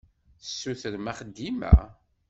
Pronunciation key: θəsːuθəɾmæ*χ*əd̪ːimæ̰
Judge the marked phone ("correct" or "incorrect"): correct